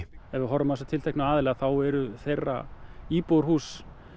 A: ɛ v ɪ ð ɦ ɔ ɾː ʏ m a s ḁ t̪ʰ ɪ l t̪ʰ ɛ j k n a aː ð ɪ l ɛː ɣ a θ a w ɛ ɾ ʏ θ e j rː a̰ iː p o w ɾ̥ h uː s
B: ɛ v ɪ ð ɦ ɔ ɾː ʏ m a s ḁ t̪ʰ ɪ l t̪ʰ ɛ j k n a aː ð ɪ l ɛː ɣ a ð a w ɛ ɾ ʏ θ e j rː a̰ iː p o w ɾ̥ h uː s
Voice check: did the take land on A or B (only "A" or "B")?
A